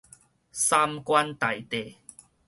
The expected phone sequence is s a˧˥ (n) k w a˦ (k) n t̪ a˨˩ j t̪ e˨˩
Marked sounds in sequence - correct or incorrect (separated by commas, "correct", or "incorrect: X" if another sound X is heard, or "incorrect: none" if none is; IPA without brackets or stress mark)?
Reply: incorrect: m, incorrect: none